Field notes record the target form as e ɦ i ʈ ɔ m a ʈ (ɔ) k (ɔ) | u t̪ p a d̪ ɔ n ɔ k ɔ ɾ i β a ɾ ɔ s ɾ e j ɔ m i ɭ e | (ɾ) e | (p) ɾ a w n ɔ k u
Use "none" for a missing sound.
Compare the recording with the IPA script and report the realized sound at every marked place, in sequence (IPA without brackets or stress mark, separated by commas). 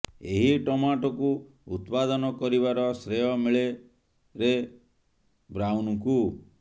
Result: ɔ, u, ɾ, b